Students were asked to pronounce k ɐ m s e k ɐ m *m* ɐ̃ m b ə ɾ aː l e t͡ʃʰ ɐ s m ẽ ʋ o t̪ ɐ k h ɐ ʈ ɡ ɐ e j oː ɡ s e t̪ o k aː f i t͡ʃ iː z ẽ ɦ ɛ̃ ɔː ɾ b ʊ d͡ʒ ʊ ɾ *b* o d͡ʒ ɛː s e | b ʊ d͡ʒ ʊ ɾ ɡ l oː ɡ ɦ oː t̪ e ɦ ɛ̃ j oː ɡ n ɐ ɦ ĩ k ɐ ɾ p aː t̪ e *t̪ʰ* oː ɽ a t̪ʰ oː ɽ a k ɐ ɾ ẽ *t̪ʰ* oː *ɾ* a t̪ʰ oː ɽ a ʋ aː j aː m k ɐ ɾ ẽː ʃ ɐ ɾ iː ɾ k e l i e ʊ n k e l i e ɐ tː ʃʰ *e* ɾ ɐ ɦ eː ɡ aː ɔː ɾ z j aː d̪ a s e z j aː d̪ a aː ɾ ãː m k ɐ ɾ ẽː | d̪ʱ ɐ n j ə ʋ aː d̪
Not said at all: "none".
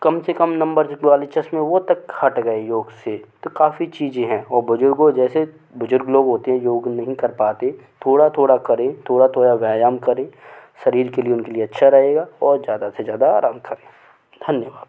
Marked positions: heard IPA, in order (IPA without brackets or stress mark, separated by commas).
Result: n, ɡ, t̪ʰ, t̪ʰ, ɽ, a